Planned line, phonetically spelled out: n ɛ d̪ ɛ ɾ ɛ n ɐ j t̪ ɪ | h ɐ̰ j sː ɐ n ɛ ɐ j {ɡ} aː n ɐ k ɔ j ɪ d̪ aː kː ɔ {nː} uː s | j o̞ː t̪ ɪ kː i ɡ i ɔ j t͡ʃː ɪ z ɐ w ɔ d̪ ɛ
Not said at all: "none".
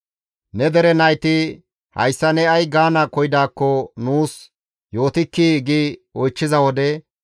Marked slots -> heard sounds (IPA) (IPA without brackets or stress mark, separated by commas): ɡ, n